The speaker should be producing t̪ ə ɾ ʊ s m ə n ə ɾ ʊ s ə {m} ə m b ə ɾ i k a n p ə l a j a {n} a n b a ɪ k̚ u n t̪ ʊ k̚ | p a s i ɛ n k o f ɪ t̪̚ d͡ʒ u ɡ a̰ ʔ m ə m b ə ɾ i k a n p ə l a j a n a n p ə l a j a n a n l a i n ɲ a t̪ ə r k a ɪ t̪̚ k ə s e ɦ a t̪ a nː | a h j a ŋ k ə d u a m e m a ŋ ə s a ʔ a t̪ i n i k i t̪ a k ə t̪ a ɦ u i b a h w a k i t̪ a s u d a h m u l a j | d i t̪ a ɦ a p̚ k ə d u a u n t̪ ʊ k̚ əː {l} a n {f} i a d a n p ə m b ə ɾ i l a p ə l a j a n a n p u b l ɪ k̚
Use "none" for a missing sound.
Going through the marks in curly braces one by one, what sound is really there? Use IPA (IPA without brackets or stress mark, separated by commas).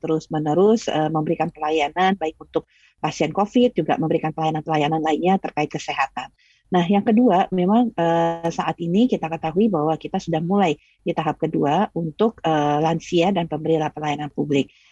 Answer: m, n, l, s